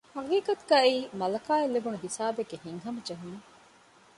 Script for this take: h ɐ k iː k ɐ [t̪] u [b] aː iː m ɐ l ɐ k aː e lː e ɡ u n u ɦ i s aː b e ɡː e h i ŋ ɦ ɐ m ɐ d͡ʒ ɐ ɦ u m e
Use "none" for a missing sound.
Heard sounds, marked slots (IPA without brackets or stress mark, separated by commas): t̪, ɡ